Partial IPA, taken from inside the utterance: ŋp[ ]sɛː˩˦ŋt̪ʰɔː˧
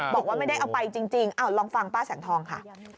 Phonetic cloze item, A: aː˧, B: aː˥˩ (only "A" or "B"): B